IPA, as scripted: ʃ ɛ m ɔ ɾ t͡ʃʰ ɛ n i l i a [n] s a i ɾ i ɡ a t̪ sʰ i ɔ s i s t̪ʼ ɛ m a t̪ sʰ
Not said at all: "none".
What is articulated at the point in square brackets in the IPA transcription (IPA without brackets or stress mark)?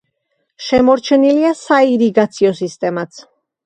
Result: none